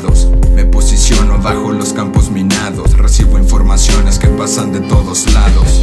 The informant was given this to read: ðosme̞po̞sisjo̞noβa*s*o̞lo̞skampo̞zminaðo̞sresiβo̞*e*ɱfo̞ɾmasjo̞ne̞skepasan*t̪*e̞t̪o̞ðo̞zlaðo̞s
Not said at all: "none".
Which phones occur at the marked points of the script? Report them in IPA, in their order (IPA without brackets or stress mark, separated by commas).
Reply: x, i, d̪